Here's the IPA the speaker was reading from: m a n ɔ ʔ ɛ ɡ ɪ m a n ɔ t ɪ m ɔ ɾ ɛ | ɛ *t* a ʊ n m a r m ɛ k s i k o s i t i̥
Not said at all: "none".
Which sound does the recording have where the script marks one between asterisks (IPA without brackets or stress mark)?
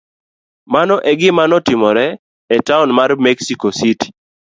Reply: t